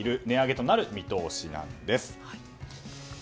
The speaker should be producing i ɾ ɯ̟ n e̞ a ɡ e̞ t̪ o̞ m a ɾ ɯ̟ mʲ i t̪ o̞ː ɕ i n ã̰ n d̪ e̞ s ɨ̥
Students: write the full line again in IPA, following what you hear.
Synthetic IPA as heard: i ɾ ɯ̟ n e̞ a ɡ e̞ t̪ o̞ n a ɾ ɯ̟ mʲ i t̪ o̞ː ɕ i n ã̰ n d̪ e̞ s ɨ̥